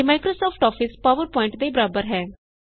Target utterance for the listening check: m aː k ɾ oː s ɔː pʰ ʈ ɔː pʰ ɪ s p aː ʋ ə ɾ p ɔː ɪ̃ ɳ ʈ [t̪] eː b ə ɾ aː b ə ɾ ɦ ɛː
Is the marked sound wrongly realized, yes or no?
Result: yes